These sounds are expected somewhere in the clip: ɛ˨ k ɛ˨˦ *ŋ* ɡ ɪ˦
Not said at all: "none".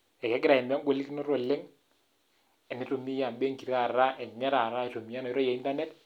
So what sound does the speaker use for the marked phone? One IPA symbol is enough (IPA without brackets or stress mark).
none